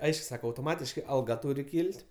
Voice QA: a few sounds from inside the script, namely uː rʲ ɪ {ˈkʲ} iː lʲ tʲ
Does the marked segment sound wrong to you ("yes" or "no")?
no